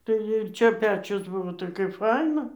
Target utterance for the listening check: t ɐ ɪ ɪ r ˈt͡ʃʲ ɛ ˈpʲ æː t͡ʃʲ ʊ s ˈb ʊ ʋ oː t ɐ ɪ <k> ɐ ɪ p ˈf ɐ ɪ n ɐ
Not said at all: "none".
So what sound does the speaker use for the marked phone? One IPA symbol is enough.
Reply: k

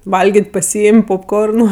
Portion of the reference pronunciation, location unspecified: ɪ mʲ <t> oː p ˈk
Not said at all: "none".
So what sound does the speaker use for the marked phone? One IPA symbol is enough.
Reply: p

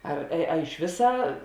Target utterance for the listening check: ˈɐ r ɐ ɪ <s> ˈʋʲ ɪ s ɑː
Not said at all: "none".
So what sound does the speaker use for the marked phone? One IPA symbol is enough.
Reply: ʃ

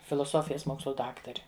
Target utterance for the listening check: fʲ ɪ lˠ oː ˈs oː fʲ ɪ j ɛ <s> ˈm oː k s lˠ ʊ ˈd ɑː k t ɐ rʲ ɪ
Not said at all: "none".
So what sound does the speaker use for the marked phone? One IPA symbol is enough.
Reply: s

